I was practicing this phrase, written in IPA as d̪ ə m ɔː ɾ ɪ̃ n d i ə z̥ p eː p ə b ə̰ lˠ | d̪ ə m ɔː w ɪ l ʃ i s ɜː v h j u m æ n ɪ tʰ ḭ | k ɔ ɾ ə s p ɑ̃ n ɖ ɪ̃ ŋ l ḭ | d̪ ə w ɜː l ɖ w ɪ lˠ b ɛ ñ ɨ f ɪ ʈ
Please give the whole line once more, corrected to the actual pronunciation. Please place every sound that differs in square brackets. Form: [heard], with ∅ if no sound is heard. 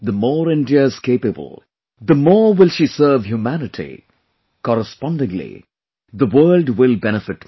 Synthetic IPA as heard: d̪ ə m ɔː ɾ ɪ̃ n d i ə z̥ [k] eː p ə b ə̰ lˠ | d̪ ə m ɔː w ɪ l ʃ i s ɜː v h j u m æ n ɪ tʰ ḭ | k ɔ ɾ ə s p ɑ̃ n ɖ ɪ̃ ŋ l ḭ | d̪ ə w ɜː l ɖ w ɪ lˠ b ɛ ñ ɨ f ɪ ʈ